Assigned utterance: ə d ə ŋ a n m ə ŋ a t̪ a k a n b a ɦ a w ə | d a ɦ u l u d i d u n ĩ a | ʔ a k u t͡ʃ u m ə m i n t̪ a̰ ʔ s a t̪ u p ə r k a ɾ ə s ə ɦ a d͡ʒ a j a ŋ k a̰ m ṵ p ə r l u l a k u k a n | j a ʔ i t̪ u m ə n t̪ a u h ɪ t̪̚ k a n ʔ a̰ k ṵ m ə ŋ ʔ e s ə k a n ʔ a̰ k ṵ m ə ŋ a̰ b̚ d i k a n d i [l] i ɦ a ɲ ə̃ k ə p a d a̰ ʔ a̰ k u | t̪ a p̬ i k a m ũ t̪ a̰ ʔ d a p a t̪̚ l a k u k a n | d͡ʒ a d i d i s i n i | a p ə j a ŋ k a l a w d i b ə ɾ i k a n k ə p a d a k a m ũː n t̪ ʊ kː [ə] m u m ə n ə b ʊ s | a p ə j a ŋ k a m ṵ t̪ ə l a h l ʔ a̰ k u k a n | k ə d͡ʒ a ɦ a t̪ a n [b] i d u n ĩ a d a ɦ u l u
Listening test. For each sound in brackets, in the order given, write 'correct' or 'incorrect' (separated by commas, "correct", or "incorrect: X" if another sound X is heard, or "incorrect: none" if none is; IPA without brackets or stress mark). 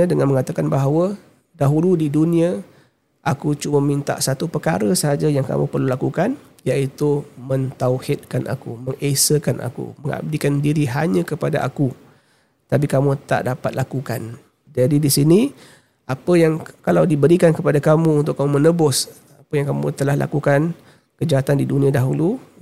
incorrect: ɾ, incorrect: a, incorrect: d